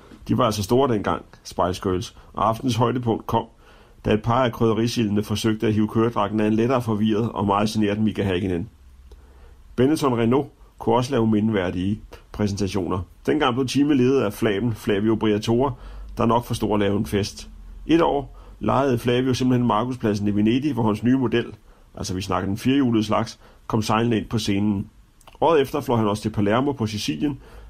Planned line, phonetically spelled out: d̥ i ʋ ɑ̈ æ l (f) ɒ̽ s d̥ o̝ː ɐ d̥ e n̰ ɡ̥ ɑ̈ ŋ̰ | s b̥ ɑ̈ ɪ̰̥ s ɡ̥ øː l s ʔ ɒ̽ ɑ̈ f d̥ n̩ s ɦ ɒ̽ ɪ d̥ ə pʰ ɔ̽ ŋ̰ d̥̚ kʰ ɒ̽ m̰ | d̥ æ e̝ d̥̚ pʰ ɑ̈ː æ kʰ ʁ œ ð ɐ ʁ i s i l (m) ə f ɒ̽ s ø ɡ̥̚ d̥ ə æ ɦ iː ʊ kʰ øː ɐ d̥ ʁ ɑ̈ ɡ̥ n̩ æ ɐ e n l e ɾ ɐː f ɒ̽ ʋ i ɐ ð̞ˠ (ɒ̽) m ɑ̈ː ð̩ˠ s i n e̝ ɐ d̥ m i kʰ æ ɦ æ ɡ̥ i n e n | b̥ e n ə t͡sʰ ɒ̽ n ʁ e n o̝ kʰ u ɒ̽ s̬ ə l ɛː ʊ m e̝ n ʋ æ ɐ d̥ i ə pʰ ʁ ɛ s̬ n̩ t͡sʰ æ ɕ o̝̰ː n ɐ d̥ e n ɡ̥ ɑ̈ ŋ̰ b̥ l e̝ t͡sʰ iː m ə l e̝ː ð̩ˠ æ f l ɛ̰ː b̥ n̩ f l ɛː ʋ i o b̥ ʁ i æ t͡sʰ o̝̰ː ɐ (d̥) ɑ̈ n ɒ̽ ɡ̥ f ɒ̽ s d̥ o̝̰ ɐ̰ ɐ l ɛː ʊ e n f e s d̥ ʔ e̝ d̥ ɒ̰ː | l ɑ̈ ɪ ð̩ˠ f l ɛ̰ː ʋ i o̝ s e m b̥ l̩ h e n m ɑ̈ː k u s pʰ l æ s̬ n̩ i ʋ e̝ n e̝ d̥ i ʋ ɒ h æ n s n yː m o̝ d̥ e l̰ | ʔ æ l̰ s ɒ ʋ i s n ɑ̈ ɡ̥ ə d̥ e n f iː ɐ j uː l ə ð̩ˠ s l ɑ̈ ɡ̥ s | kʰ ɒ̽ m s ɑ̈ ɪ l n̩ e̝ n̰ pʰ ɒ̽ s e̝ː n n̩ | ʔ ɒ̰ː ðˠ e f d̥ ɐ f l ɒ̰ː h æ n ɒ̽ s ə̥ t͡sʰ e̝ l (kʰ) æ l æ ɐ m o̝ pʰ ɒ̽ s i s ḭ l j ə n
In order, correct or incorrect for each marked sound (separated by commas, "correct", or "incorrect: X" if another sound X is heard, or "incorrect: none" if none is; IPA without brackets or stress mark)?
incorrect: s, incorrect: n, correct, correct, incorrect: pʰ